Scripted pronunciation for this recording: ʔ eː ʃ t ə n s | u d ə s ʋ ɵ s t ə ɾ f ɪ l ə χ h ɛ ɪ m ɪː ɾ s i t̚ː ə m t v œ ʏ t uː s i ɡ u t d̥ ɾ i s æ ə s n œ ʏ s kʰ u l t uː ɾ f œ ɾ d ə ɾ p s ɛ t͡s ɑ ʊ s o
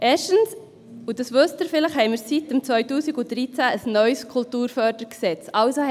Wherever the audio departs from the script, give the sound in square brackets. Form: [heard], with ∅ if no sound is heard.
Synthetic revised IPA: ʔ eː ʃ t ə n s | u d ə s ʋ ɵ s t ə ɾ f ɪ l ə χ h ɛ ɪ m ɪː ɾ s i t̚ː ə m [t͡s] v œ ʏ t uː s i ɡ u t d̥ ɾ i [t͡s] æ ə s n œ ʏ s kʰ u l t uː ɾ f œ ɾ d ə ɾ [k] s ɛ t͡s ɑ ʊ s o